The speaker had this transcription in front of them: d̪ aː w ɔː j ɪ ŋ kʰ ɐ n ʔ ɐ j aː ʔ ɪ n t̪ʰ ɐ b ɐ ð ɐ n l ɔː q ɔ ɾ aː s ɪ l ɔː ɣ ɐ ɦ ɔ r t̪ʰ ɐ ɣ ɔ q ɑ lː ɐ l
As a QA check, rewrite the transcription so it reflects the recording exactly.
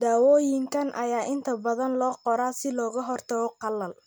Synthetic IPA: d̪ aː w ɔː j ɪ ŋ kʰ ɐ n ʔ ɐ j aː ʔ ɪ n t̪ʰ ɐ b ɐ ð ɐ n l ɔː q ɔ ɾ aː s ɪ l ɔː ɣ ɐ ɦ ɔ r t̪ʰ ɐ ɣ ɔ q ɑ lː ɐ l